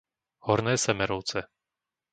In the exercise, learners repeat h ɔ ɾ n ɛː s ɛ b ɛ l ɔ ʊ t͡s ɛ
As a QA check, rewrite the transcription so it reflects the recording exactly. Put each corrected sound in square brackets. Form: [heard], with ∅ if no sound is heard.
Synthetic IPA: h ɔ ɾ n ɛː s ɛ [m] ɛ [ɾ] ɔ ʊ t͡s ɛ